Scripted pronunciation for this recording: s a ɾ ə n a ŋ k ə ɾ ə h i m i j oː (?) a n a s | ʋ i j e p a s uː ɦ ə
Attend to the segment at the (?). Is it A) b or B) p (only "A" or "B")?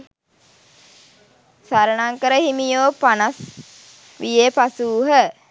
B